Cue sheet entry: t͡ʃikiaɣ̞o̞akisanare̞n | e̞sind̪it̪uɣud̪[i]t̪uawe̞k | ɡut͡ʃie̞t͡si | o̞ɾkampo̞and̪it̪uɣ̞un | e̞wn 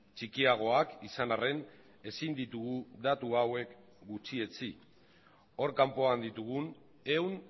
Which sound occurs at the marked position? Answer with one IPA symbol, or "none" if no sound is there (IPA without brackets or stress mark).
a